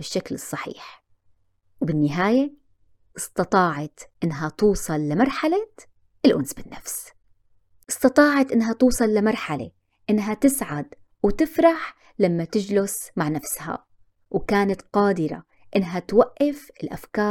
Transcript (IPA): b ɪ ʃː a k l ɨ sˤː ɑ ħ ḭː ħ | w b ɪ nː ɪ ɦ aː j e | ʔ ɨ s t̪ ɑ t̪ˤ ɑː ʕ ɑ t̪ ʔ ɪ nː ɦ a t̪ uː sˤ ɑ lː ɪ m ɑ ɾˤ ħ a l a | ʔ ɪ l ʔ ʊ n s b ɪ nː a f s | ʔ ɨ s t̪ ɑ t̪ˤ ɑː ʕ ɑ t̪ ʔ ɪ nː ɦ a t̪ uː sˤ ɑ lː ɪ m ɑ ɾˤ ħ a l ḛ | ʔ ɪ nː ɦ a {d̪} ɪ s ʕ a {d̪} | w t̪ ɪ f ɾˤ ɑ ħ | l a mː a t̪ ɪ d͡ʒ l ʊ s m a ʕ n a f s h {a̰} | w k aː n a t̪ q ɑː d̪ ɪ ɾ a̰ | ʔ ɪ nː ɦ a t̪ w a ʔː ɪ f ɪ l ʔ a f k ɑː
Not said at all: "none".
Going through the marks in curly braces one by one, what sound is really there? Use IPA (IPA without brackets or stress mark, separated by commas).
t̪, d̪, a̰